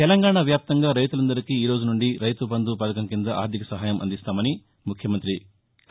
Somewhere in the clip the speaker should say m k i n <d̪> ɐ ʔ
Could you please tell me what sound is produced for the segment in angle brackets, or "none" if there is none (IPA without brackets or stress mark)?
d̪